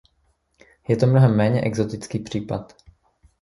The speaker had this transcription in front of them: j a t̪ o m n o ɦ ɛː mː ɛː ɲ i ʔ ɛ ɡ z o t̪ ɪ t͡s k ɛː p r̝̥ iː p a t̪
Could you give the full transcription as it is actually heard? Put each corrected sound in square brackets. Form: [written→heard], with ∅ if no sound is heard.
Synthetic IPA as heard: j [a→ɛ] t̪ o m n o ɦ [ɛː→ɛ] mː ɛː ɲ [i→ɛ] ʔ ɛ ɡ z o t̪ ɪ t͡s k [ɛː→iː] p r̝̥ iː p a t̪